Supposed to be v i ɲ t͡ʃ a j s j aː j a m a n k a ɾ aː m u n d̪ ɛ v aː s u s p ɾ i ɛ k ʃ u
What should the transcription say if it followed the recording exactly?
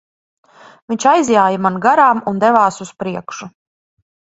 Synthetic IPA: v i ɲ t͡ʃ a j z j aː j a m a n ɡ a ɾ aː m u n d̪ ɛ v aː s u s p ɾ i ɛ k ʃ u